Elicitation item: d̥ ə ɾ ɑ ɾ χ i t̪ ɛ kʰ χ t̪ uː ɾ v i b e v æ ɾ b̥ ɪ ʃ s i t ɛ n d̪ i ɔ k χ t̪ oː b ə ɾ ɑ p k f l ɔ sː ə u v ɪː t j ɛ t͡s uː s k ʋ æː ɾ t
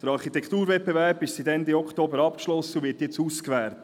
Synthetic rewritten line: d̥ ə ɾ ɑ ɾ χ i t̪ ɛ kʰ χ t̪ uː ɾ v ɛ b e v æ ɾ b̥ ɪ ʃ s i t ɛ n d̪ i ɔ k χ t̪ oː b ə ɾ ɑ p k ʃ l ɔ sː ə u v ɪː t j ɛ t͡s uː s k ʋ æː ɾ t